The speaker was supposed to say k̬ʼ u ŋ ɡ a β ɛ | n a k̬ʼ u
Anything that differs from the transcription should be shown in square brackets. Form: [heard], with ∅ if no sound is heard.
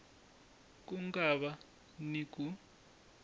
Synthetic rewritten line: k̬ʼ u ŋ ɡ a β [a] | n [i] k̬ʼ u